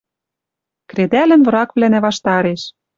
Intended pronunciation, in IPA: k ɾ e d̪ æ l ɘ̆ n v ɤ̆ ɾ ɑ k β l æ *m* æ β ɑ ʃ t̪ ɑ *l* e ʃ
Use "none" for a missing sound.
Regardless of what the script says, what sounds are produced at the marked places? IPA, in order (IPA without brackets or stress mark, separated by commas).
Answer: n, ɾ